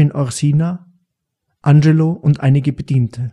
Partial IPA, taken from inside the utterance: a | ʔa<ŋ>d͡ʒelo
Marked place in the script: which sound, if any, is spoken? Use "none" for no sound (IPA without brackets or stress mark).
n